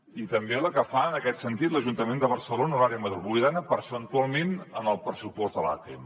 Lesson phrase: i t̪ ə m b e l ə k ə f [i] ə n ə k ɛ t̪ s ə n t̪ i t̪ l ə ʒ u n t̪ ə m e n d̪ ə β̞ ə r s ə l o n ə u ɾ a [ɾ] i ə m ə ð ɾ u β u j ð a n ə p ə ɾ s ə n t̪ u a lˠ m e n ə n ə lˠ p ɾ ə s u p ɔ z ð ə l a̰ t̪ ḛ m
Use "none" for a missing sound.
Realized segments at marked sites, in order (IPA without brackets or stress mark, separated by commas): a, ɾ